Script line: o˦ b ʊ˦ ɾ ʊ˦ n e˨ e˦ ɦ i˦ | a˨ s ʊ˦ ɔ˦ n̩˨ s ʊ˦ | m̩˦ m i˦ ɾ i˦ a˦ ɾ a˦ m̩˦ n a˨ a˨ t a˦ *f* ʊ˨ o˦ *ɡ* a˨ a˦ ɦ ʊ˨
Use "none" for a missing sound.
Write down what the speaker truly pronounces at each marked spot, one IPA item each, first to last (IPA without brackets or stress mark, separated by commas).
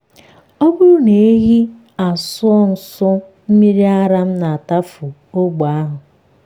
f, ɡ͡b